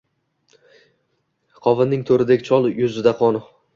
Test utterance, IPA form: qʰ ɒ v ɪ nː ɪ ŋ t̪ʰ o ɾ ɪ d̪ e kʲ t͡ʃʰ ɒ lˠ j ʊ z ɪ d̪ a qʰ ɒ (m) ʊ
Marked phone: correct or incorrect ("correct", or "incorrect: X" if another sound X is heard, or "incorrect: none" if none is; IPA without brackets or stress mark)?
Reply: incorrect: n